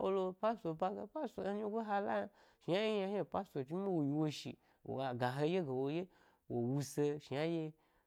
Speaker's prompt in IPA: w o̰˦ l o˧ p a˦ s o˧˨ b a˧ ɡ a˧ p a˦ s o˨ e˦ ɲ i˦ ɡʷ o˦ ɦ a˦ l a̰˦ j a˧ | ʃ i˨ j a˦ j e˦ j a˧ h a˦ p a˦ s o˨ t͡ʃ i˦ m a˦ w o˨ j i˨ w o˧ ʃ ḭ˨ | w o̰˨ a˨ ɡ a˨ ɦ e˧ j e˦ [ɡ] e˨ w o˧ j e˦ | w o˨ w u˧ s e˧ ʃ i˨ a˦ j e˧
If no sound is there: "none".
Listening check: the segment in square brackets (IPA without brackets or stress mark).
ɡ